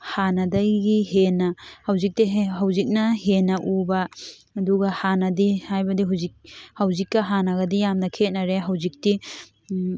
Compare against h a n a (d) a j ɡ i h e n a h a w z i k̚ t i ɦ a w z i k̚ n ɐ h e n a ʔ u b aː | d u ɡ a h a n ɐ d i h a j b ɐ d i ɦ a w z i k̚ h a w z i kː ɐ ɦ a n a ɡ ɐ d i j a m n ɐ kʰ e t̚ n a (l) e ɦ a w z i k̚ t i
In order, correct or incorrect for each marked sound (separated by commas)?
correct, incorrect